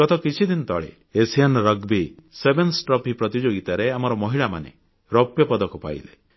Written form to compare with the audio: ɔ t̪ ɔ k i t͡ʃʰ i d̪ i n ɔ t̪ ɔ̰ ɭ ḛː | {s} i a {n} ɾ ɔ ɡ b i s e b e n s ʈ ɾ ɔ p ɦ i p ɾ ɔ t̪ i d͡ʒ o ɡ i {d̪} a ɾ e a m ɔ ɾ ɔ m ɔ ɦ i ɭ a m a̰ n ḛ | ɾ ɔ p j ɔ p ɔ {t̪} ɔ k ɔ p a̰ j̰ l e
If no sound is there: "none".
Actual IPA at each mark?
s, n, t̪, d̪

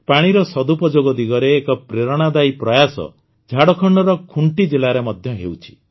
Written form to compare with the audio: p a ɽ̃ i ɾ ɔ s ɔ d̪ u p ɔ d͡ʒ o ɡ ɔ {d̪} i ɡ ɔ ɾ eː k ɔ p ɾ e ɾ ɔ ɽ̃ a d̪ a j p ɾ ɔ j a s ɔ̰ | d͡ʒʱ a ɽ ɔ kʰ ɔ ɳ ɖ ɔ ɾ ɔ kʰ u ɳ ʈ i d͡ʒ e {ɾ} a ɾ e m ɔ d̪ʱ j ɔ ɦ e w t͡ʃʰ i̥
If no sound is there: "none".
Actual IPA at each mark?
d̪, l

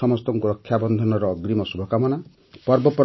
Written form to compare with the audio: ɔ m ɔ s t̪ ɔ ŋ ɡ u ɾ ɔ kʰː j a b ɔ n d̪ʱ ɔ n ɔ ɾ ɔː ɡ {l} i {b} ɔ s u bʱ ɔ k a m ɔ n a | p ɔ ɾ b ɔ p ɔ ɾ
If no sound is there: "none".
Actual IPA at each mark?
ɾ, m

